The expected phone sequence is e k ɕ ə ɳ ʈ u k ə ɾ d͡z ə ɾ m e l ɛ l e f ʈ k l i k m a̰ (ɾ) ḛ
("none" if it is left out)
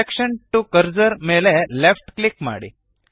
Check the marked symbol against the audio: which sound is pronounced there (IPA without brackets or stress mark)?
ɽ